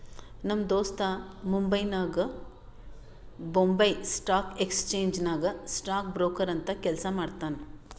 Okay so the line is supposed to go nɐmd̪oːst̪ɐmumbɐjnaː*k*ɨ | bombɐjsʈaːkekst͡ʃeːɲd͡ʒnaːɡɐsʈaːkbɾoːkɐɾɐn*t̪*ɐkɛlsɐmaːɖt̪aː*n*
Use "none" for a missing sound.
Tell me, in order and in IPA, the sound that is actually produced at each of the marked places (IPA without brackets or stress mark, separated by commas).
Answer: ɡ, t̪, n